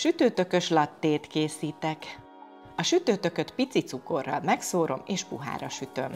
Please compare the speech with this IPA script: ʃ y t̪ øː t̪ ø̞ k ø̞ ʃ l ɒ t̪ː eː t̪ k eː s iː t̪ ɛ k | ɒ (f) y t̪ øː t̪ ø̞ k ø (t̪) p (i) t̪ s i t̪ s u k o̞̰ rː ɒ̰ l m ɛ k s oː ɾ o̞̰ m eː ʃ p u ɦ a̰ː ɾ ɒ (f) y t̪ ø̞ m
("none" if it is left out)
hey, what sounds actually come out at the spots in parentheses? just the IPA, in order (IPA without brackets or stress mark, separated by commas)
ʃ, t̪, i, ʃ